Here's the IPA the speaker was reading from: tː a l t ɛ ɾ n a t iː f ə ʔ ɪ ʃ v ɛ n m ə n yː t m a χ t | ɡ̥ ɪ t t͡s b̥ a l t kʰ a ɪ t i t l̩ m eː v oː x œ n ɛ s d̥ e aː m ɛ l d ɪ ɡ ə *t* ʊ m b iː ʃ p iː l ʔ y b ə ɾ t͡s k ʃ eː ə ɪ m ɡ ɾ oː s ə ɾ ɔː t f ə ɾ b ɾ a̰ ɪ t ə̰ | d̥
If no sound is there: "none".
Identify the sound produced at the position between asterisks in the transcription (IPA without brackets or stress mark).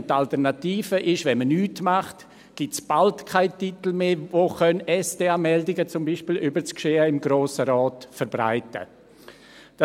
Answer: t͡s